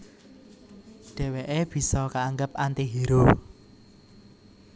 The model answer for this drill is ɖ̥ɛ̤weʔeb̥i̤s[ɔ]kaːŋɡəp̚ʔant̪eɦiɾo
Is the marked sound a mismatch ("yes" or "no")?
no